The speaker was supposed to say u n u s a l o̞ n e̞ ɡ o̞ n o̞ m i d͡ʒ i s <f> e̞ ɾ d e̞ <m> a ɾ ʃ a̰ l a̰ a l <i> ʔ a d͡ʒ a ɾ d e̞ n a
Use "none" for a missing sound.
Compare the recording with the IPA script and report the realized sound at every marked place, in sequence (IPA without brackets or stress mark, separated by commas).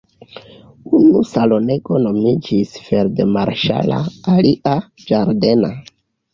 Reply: f, m, i